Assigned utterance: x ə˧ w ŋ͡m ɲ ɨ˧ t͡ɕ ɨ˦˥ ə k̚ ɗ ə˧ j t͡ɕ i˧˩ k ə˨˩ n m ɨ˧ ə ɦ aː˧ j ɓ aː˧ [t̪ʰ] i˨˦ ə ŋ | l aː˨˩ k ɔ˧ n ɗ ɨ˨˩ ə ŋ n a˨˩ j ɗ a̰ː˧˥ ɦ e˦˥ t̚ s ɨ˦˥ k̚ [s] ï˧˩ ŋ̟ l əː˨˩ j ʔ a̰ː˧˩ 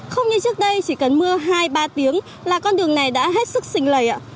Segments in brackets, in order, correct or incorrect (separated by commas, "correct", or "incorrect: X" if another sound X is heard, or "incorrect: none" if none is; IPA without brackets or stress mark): incorrect: t̪, correct